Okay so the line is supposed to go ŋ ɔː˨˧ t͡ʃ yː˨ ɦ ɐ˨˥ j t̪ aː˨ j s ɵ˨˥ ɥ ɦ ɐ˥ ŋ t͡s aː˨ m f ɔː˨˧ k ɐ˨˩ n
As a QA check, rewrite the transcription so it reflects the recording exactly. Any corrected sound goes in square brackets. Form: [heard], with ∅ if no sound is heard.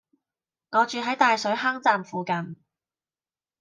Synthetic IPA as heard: ŋ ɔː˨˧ t͡ʃ yː˨ ɦ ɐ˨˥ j t̪ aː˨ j s ɵ˨˥ ɥ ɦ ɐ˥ ŋ t͡s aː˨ m f [uː˨˧] k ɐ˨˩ n

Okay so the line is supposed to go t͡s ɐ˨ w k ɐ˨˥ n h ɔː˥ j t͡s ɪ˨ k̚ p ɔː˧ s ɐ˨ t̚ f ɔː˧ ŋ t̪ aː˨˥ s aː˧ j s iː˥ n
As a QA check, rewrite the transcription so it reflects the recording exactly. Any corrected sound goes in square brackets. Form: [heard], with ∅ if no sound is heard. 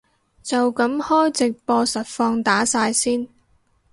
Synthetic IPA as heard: t͡s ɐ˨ w k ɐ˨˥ [m] h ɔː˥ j t͡s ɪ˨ k̚ p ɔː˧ s ɐ˨ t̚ f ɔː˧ ŋ t̪ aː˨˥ s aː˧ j s iː˥ n

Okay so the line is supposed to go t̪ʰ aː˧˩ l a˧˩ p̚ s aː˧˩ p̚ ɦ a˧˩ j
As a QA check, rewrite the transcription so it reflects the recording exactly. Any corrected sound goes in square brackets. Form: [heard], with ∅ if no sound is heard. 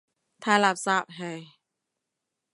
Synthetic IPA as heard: t̪ʰ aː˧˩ l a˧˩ p̚ s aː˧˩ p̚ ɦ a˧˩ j

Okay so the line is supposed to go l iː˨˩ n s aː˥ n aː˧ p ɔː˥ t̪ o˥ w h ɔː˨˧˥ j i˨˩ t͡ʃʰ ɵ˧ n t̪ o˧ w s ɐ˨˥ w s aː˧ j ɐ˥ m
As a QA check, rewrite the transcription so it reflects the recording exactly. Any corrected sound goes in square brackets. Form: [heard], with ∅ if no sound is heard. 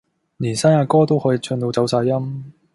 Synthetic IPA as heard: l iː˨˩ n s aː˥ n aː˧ [k] ɔː˥ t̪ o˥ w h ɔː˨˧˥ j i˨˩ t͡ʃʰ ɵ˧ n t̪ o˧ w [t͡s] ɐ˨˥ w s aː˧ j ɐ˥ m

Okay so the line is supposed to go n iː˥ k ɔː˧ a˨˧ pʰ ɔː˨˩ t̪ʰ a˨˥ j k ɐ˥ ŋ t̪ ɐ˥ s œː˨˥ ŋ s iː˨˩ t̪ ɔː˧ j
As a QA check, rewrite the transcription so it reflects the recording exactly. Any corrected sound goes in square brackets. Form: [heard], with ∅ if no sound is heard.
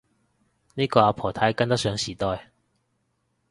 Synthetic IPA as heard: n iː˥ k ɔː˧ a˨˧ pʰ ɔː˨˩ t̪ʰ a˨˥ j k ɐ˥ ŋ t̪ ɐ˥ s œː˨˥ ŋ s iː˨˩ t̪ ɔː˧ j

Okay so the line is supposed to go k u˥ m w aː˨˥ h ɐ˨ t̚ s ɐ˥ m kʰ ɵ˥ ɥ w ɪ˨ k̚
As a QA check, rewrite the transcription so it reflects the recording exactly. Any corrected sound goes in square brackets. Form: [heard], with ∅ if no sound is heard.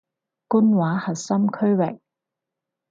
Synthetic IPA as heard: k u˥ [n] w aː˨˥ h ɐ˨ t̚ s ɐ˥ m kʰ ɵ˥ ɥ w ɪ˨ k̚

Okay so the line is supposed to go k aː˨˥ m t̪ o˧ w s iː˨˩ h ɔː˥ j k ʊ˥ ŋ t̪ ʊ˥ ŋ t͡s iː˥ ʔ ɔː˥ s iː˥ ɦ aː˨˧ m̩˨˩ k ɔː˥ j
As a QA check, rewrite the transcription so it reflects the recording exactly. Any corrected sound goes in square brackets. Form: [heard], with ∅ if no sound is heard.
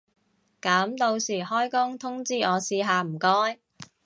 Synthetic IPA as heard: k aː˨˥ m t̪ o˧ w s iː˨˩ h ɔː˥ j k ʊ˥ ŋ [t̪ʰ] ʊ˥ ŋ t͡s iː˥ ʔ [ɔː˨˧] s [iː˧] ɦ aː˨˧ m̩˨˩ k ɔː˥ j

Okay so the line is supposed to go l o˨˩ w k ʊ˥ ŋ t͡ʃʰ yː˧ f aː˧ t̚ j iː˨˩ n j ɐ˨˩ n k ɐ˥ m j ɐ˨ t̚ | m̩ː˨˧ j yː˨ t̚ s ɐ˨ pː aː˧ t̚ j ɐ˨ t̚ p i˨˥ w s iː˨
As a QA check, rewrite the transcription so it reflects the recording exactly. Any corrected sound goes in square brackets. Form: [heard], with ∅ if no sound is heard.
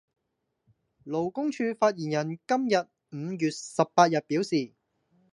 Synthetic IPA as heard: l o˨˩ w k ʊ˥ ŋ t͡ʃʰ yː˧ f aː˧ t̚ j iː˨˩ n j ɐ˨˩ n k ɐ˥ m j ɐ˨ t̚ | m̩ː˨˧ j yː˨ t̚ s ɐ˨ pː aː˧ t̚ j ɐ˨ t̚ p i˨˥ w s iː˨

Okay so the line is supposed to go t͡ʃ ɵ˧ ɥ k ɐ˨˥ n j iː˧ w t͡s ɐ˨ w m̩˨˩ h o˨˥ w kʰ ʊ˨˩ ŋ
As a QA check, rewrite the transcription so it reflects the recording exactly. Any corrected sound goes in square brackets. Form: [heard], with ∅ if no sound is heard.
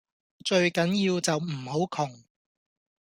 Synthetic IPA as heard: t͡ʃ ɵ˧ ɥ k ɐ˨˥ n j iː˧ w t͡s ɐ˨ w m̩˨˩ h o˨˥ w kʰ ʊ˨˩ ŋ

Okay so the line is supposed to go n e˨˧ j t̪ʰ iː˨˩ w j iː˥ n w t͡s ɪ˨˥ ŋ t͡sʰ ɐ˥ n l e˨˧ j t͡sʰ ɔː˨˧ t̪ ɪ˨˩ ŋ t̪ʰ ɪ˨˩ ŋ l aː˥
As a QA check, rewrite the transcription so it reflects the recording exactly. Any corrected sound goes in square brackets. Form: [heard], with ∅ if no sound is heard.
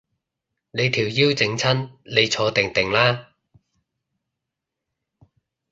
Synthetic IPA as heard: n e˨˧ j t̪ʰ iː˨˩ w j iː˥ [∅] w t͡s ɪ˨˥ ŋ t͡sʰ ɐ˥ n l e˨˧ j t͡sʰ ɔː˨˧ t̪ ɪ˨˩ ŋ [t̪] ɪ˨˩ ŋ l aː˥

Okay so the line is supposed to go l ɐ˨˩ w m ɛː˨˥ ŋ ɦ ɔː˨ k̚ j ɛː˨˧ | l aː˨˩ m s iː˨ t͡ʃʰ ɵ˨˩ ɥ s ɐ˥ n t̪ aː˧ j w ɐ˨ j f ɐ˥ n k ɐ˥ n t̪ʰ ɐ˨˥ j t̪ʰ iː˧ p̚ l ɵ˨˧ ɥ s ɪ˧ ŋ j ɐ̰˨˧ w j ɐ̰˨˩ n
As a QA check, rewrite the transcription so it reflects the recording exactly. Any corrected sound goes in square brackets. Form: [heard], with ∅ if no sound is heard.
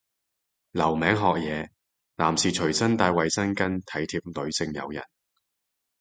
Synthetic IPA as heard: l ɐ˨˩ w m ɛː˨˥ ŋ ɦ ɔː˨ k̚ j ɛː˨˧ | l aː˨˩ m s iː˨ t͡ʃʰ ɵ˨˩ ɥ s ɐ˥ n t̪ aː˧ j w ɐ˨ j [s] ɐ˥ n k ɐ˥ n t̪ʰ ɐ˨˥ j t̪ʰ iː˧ p̚ l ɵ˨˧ ɥ s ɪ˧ ŋ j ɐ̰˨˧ w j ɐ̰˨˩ n

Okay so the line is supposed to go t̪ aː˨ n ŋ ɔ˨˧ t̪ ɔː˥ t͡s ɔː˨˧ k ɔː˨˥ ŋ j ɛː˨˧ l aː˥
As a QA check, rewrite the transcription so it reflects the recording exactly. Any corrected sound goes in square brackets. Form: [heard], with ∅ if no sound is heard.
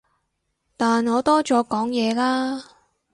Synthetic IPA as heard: t̪ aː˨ n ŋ [ɔː˨˧] t̪ ɔː˥ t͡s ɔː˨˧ k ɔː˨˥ ŋ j ɛː˨˧ l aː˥

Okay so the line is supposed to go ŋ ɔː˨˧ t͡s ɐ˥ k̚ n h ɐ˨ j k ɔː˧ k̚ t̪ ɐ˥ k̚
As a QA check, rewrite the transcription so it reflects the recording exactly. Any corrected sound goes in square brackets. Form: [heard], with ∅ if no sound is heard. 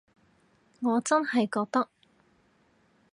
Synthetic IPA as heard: ŋ ɔː˨˧ t͡s ɐ˥ [∅] n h ɐ˨ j k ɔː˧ k̚ t̪ ɐ˥ k̚

